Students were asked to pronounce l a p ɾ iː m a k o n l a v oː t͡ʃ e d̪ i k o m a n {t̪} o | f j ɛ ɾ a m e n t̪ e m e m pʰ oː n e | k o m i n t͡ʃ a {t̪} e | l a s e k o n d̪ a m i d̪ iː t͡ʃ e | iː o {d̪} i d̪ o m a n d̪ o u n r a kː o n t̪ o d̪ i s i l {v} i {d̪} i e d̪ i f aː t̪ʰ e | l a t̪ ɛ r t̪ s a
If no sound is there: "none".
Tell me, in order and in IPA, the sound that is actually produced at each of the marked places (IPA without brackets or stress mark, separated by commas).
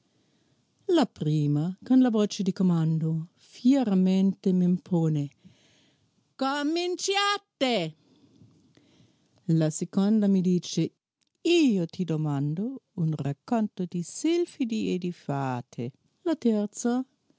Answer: d̪, t̪, t̪, f, d̪